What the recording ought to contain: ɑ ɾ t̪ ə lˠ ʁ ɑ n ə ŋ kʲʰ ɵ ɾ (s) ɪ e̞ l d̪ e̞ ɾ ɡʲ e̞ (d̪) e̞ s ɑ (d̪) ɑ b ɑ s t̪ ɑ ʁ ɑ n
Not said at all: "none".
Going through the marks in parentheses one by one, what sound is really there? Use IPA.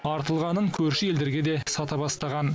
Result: ʃ, d̪, t̪

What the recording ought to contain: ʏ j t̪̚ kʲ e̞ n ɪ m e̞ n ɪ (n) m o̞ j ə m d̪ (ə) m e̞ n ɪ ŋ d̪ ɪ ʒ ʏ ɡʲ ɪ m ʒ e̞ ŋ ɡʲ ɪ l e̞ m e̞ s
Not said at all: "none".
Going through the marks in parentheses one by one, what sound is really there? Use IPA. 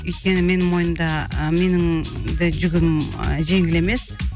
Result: ŋ, ɑ

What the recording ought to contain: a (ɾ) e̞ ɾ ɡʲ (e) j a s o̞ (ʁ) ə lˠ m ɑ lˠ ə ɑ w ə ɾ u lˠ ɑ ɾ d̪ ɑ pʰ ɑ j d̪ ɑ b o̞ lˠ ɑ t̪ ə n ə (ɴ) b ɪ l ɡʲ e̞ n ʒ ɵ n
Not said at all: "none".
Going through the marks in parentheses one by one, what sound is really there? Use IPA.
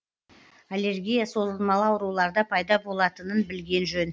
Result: l, i, z, n

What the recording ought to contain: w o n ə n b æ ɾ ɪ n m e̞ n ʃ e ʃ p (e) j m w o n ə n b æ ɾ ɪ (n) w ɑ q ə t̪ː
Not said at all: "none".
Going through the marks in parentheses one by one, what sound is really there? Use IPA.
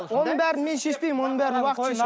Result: e, n

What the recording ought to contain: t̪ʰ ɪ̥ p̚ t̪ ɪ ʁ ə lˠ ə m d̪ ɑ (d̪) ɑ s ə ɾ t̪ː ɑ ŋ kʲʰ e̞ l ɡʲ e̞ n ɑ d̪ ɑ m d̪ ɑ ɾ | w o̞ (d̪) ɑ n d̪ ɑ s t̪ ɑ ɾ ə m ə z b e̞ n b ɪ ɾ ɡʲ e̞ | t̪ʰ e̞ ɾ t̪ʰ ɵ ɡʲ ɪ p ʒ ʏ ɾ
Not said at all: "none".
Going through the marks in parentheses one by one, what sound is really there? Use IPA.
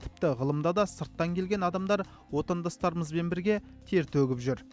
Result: d̪, t̪

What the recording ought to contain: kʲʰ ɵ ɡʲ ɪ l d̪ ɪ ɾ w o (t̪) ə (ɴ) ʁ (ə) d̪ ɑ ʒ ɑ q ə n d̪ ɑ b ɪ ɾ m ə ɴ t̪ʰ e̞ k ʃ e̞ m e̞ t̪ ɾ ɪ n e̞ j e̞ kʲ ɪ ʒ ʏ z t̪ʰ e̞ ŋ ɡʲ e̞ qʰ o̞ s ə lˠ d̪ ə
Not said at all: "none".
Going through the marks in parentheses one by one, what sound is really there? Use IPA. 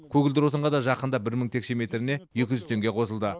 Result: t̪, ɴ, ɑ

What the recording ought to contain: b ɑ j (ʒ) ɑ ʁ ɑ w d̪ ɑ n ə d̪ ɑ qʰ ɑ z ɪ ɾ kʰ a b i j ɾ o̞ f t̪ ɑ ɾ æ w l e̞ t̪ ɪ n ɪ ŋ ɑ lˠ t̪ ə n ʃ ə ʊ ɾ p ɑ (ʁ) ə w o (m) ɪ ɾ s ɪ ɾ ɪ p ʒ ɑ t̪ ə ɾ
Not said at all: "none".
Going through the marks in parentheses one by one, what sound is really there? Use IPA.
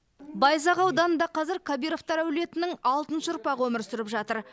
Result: z, ʁ, m

